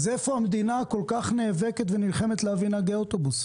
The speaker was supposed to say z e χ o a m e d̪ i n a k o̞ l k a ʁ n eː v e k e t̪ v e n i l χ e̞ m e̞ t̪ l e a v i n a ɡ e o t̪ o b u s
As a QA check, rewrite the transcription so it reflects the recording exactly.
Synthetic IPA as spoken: z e f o a m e d̪ i n a k o̞ l k a χ n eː v e k e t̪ v e n i l χ e̞ m e̞ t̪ l e a v i n a ɡ e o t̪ o b u s